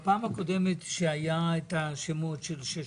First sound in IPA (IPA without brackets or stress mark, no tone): p